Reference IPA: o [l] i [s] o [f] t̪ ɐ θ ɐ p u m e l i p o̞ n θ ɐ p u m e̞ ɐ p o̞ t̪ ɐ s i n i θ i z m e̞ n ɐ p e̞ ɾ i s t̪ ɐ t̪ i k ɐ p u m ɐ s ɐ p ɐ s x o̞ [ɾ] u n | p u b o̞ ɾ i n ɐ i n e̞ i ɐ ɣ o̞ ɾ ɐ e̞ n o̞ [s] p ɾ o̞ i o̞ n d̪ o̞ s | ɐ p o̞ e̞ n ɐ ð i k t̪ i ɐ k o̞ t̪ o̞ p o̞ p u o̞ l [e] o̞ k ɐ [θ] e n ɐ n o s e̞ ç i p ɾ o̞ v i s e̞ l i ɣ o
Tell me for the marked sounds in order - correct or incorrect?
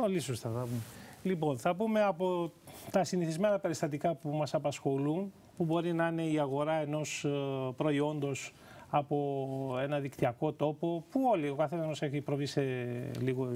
correct, correct, incorrect, incorrect, correct, incorrect, correct

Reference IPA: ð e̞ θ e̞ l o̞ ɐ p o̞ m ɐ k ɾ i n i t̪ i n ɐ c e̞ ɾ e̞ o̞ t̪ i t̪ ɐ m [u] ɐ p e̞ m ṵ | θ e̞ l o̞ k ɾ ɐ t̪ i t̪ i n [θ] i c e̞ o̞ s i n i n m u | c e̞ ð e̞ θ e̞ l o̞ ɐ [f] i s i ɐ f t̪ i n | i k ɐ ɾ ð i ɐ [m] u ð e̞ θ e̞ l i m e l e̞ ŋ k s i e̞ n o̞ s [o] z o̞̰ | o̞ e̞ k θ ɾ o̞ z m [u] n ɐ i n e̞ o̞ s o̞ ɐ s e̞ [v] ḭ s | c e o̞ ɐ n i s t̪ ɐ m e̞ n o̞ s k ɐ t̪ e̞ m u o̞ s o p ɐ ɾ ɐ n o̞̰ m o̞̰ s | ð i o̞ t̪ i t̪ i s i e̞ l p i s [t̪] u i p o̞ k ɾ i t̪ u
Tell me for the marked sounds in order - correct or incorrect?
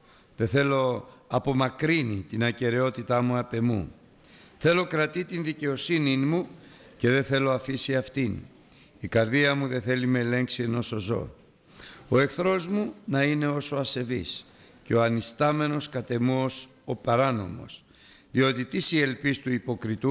correct, incorrect, correct, correct, correct, correct, correct, correct

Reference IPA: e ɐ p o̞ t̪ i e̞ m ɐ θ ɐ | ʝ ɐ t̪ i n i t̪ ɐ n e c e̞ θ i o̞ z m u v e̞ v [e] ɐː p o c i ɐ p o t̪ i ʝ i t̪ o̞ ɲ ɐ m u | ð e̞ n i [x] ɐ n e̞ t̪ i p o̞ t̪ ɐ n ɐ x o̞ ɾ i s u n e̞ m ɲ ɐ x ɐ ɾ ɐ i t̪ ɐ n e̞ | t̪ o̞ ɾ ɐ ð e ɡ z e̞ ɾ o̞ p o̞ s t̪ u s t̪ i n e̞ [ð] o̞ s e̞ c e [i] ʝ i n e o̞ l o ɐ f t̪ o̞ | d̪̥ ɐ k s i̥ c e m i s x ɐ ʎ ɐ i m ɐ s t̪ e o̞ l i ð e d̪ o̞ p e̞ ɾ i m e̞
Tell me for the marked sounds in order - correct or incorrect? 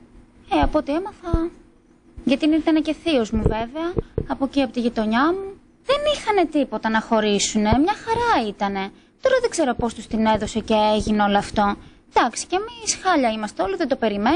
correct, correct, correct, incorrect

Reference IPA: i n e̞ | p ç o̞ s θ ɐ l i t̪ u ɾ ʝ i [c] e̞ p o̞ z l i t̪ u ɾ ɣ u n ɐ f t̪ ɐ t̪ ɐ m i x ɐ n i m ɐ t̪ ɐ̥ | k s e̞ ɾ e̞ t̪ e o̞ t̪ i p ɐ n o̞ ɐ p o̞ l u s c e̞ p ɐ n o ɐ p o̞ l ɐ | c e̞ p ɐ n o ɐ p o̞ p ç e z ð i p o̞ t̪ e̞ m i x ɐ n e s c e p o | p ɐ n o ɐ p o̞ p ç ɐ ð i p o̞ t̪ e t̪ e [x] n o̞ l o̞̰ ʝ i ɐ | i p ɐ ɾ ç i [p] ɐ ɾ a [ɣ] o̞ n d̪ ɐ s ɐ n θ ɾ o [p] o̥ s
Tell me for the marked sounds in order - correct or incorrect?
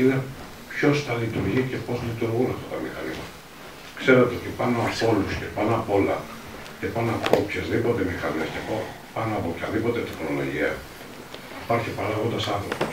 correct, correct, correct, correct, correct

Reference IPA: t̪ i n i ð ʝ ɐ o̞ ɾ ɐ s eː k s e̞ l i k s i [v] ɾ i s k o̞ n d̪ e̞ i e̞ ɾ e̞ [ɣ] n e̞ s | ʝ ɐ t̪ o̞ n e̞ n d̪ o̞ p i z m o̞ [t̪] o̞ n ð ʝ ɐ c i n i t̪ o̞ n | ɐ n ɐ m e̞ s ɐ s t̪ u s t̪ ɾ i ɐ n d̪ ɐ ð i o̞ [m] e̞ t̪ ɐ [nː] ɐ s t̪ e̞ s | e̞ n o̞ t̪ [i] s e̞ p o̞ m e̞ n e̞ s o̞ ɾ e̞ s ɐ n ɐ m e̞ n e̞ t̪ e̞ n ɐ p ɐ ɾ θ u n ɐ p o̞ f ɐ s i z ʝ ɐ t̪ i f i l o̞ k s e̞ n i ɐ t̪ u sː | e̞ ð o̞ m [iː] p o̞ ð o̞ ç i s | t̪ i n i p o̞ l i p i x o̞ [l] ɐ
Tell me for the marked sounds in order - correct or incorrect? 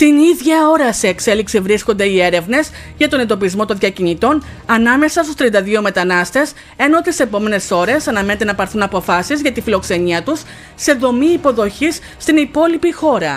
correct, incorrect, correct, correct, incorrect, correct, correct, incorrect

